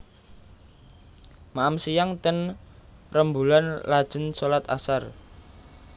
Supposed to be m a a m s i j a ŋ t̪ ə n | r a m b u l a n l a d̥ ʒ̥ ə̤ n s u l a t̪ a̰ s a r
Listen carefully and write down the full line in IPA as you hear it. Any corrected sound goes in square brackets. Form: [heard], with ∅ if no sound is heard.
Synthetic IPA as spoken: m a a m s i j a ŋ t̪ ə n | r [ə] m b u l a n l a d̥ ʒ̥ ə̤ n s [o] l a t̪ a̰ s a r